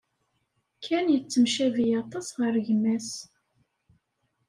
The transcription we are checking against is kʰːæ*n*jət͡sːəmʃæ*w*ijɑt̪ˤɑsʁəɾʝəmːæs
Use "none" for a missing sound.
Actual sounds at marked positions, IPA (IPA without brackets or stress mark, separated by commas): n, v